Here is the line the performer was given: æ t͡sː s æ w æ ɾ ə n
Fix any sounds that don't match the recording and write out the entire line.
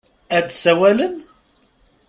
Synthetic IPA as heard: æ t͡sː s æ w æ l ə n